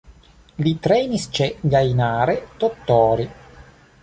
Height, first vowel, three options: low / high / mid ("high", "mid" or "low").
high